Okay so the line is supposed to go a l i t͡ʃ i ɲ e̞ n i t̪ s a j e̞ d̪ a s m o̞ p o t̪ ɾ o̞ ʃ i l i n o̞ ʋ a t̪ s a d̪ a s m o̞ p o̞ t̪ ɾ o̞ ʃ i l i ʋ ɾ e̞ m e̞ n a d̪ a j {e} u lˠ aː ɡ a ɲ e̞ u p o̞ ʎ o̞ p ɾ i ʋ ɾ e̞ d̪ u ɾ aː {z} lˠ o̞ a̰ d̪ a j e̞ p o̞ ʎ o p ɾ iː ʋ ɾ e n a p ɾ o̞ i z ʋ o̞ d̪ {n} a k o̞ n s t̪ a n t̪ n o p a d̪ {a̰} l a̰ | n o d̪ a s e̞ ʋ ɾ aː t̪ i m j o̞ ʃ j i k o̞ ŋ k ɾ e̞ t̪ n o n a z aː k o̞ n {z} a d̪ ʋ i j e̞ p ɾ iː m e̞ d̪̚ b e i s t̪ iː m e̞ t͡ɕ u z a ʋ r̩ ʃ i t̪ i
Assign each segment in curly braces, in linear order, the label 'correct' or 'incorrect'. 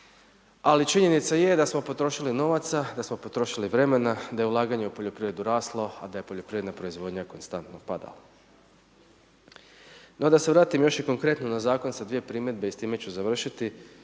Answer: correct, incorrect: s, incorrect: ɲ, correct, incorrect: s

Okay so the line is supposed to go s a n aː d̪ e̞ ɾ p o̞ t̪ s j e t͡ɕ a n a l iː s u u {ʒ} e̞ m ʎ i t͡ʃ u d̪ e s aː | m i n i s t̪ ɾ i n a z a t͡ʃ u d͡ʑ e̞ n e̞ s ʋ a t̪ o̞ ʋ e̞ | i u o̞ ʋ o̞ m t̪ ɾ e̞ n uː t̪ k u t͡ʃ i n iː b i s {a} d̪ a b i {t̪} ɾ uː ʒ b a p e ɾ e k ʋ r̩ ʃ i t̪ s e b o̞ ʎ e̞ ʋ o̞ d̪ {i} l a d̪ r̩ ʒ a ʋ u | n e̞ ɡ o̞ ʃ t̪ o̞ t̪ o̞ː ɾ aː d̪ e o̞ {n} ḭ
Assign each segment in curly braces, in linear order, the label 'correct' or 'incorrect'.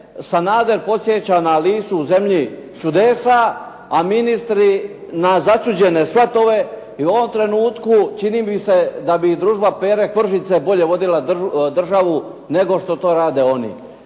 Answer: incorrect: z, incorrect: e, incorrect: d̪, correct, correct

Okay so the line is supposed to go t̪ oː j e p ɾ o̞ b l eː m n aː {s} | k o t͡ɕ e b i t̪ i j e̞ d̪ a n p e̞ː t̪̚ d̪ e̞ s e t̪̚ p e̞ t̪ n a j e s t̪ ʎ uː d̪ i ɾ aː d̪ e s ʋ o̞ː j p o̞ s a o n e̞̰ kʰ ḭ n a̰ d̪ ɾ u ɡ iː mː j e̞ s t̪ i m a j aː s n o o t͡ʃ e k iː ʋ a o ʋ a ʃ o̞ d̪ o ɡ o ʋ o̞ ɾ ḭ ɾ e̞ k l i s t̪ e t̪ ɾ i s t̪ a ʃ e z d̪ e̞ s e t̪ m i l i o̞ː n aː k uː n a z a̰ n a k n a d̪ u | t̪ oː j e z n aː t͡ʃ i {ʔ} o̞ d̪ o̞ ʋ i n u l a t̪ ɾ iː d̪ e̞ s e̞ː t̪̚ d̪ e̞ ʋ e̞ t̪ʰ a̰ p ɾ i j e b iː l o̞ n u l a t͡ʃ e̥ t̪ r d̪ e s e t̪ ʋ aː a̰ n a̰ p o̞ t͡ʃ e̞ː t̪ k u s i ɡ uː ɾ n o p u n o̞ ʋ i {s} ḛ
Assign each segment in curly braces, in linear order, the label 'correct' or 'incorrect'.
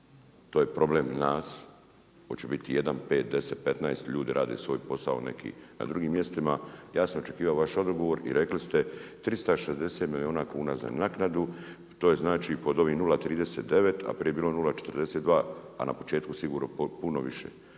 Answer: correct, incorrect: p, incorrect: ʃ

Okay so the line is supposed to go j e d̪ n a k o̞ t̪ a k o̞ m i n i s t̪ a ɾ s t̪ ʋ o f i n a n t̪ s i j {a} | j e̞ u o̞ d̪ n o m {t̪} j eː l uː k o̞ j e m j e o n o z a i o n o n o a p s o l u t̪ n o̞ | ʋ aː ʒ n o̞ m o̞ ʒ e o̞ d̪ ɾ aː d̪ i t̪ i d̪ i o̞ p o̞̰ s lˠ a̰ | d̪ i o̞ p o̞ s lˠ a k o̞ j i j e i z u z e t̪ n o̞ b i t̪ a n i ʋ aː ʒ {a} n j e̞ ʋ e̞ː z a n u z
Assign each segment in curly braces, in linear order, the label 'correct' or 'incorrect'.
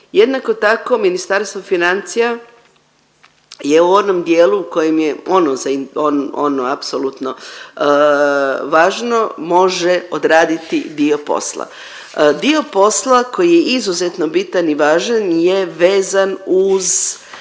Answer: correct, incorrect: d̪, correct

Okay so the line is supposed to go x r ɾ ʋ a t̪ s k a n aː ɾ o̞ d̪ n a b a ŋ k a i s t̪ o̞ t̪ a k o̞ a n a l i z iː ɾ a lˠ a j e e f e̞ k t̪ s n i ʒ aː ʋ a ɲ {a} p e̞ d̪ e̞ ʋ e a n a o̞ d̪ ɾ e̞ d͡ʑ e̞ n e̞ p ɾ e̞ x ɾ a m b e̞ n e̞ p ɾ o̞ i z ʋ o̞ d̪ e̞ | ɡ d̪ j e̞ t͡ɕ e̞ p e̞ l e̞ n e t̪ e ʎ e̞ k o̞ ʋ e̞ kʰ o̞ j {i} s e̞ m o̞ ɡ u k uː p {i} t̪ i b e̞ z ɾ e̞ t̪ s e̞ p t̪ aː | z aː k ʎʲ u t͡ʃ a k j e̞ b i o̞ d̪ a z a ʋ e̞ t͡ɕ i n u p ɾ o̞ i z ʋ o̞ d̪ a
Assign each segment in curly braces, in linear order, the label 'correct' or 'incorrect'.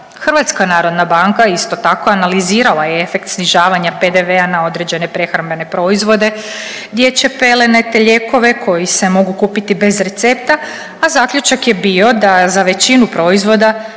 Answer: correct, correct, correct

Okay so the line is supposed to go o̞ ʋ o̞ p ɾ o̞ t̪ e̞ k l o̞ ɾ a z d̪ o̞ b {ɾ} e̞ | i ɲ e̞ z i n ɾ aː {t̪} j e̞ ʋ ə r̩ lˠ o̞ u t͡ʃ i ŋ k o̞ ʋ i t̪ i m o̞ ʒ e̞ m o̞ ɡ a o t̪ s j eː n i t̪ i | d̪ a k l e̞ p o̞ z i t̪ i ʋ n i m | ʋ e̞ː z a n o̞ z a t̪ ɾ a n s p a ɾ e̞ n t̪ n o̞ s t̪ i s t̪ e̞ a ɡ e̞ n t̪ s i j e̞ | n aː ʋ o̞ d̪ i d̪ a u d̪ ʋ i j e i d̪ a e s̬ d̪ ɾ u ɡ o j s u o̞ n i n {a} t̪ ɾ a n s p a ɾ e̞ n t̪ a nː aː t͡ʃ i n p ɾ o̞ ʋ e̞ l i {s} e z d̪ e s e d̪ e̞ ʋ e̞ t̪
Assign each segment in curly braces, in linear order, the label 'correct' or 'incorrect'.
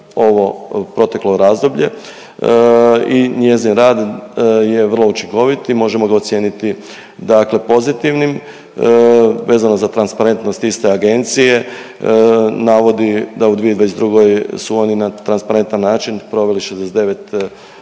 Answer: incorrect: ʎ, incorrect: d̪, correct, incorrect: ʃ

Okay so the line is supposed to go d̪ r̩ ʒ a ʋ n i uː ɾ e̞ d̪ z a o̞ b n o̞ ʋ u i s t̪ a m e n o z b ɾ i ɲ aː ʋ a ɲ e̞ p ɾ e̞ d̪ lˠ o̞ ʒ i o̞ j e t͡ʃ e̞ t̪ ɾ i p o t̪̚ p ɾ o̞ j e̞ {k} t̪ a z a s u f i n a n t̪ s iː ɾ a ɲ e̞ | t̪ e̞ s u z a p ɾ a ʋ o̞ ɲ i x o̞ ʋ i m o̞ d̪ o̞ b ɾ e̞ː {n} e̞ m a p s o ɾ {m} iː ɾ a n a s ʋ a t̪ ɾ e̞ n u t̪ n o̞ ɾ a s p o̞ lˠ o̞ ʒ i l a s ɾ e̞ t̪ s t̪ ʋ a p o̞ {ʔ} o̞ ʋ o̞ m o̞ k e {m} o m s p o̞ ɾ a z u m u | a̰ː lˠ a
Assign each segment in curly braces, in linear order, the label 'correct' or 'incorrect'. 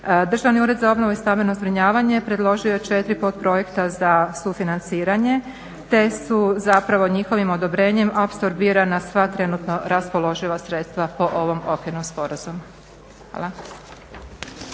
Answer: correct, incorrect: ɲ, incorrect: b, correct, incorrect: n

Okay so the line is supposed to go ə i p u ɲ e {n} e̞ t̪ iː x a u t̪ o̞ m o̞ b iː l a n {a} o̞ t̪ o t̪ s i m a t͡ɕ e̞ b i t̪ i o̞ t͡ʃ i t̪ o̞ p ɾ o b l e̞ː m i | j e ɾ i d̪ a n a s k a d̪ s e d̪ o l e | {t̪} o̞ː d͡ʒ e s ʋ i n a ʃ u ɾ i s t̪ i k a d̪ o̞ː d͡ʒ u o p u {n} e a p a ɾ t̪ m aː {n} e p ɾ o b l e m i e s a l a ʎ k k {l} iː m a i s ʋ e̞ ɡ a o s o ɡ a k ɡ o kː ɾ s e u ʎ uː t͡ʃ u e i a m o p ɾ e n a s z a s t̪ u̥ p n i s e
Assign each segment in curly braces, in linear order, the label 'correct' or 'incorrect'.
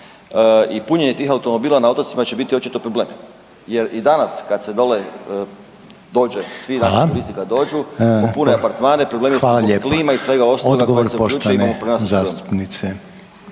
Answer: incorrect: ɲ, correct, incorrect: d̪, correct, correct, correct

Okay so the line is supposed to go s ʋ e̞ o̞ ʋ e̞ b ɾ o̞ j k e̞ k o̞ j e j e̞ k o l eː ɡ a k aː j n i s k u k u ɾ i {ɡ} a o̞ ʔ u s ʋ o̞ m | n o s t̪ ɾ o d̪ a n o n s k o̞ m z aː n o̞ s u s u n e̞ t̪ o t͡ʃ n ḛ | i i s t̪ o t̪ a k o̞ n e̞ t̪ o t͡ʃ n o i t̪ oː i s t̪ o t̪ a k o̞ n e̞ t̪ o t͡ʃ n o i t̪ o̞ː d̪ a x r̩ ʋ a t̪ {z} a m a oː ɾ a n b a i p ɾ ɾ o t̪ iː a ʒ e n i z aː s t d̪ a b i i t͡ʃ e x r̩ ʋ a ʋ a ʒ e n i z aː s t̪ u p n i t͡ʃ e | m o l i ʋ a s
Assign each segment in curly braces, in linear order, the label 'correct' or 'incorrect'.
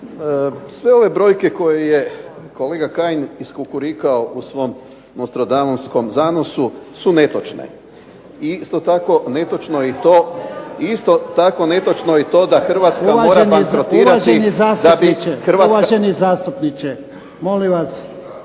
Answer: incorrect: k, incorrect: s

